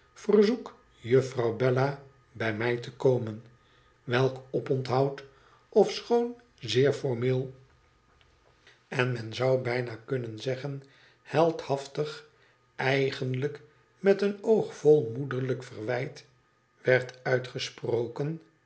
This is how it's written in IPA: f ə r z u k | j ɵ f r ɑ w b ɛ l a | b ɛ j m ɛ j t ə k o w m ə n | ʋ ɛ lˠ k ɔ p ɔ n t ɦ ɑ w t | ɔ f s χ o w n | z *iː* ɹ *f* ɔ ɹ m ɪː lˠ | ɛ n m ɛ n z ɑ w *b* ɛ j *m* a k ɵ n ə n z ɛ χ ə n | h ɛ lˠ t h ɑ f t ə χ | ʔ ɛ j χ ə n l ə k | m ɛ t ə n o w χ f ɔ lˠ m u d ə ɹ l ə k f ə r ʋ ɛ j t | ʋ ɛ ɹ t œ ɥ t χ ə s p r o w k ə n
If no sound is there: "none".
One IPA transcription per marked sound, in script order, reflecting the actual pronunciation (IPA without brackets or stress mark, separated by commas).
ɪː, f, b, n